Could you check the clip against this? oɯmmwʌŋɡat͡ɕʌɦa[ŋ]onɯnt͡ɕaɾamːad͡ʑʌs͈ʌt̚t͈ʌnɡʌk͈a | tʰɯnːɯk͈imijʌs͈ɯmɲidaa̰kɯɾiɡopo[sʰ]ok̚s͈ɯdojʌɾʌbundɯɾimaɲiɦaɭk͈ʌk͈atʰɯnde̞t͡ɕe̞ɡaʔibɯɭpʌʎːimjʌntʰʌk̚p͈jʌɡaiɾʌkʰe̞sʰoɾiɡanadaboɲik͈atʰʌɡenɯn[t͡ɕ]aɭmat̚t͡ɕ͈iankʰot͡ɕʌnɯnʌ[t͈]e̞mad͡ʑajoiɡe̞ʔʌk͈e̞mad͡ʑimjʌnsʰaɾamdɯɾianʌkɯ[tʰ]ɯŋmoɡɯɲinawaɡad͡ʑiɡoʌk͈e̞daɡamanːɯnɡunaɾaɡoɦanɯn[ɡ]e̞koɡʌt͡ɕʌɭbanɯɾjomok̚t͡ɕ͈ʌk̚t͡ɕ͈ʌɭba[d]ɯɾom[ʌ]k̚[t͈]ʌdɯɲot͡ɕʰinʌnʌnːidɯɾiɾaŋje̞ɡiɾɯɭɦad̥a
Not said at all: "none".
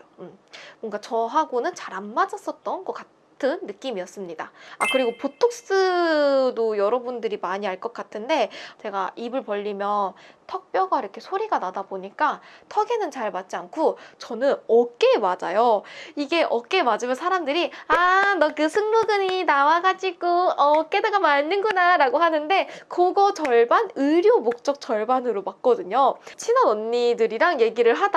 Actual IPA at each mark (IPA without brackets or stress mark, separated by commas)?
ɡ, tʰ, t͡ɕ, k͈, sʰ, d, n, a, k͈